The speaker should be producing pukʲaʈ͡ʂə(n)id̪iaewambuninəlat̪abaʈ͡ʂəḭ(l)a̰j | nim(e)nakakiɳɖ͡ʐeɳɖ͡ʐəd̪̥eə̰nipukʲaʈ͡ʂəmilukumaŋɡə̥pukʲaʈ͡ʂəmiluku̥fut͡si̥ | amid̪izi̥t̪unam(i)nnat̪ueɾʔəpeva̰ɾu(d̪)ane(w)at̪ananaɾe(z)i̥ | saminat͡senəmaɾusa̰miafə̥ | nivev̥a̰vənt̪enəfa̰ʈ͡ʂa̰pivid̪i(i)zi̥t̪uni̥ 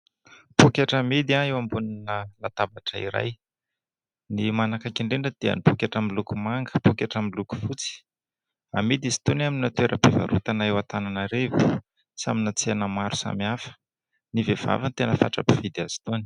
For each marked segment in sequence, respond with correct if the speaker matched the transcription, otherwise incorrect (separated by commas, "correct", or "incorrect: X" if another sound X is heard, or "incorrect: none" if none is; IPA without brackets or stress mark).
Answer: incorrect: m, incorrect: ɾ, incorrect: a, correct, incorrect: t̪, correct, incorrect: v, incorrect: a